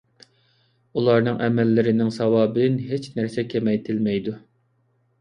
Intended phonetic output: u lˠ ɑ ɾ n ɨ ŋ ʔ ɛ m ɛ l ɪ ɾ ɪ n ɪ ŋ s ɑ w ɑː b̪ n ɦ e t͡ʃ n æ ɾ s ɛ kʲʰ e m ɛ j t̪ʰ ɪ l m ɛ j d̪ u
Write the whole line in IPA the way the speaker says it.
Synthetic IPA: u lˠ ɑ ɾ n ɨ ŋ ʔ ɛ m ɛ lː ɪ ɾ ɪ n ɪ ŋ s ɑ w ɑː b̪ n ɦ e t͡ʃ n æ ɾ s ɛ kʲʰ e m ɛ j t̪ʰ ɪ l m ɛ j d̪ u